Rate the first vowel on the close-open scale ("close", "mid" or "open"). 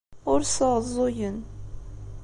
close